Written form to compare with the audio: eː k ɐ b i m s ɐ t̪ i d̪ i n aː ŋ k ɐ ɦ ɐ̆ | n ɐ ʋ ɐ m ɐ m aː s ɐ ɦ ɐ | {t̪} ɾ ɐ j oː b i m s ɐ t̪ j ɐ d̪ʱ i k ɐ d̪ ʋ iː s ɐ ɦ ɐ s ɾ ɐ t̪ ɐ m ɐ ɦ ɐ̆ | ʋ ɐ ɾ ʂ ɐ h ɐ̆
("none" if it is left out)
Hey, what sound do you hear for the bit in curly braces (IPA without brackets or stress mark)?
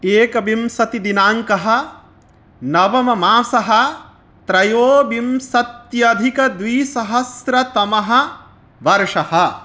t̪